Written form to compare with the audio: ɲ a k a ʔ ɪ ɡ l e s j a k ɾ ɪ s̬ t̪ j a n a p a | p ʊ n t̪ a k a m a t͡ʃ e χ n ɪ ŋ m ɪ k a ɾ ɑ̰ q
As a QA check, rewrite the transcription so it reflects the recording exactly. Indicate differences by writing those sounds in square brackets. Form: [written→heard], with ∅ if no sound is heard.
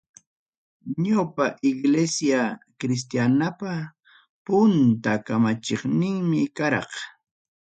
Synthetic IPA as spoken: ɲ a [k→p] a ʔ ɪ ɡ l e s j a k ɾ ɪ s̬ t̪ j a n a p a | p ʊ n t̪ a k a m a t͡ʃ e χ n ɪ ŋ m ɪ k a ɾ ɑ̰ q